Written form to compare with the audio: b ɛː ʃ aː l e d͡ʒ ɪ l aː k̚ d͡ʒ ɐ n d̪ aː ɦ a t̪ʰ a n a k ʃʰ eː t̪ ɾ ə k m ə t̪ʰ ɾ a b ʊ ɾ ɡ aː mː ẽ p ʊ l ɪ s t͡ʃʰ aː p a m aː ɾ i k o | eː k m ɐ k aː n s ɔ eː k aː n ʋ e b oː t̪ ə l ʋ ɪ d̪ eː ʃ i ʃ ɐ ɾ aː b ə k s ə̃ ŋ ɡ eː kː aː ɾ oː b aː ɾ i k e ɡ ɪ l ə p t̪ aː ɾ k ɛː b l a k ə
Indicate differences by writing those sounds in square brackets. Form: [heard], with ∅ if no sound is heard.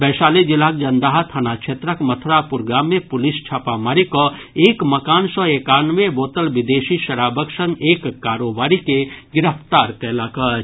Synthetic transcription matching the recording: b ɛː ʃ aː l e d͡ʒ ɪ l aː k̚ d͡ʒ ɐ n d̪ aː ɦ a t̪ʰ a n a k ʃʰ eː t̪ ɾ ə k m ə t̪ʰ ɾ a [p] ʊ ɾ ɡ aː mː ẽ p ʊ l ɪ s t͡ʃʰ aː p a m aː ɾ i k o | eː k m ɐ k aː n s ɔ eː k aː n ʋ e b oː t̪ ə l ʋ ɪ d̪ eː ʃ i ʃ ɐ ɾ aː b ə k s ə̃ ŋ ɡ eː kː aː ɾ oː b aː ɾ i k e ɡ ɪ [ɾ] ə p t̪ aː ɾ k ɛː [∅] l a k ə